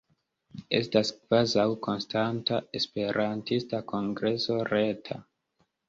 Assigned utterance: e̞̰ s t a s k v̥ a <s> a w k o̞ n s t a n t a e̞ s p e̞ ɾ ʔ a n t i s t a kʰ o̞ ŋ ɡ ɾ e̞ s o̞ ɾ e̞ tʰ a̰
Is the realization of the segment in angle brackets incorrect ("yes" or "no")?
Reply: yes